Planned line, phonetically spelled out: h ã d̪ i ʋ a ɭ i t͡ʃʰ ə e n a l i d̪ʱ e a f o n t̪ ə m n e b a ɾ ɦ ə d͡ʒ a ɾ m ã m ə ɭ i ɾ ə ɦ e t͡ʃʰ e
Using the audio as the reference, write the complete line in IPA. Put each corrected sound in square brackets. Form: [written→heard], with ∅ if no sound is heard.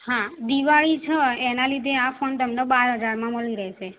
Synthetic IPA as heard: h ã d̪ i ʋ a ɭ i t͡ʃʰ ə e n a l i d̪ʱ e a f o n t̪ ə m n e b a ɾ ɦ ə d͡ʒ a ɾ m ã m ə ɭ i ɾ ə ɦ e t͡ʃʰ e